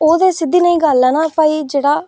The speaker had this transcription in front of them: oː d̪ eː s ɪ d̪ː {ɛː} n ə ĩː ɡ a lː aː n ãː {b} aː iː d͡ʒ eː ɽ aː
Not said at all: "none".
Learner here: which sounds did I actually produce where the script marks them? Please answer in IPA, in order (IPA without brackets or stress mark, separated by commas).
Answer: iː, p